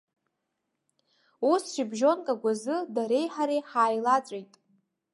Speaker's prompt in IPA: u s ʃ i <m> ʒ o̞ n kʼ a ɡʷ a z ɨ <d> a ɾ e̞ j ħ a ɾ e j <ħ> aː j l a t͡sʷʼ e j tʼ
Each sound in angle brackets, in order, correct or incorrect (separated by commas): incorrect, correct, correct